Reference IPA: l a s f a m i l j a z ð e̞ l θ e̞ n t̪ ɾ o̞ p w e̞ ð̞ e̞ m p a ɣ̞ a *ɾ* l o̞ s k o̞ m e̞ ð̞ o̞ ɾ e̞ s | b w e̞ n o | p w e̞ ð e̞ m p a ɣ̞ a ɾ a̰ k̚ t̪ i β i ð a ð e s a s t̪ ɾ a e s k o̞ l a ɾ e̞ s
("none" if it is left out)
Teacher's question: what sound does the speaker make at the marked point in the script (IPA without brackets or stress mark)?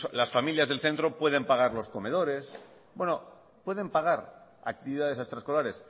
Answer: ɾ